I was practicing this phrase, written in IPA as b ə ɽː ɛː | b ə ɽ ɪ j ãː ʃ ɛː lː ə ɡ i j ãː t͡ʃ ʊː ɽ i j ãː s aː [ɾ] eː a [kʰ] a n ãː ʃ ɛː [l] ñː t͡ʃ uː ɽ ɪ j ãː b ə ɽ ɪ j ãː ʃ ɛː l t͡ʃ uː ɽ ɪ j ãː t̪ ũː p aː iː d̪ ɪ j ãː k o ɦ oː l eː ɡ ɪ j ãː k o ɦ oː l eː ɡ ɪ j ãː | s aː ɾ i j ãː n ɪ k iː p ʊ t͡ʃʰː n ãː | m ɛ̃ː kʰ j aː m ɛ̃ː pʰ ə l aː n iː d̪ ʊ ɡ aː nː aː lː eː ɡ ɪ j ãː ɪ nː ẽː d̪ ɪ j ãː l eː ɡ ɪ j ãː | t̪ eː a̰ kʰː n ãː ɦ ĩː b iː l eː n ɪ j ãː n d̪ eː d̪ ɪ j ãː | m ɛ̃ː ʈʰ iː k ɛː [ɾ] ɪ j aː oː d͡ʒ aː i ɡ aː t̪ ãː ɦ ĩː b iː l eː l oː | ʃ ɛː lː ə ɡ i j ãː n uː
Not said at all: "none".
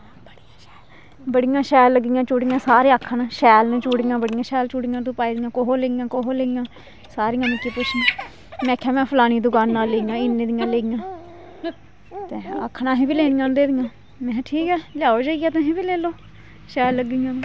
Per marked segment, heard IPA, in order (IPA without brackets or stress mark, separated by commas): ɾ, kʰ, l, l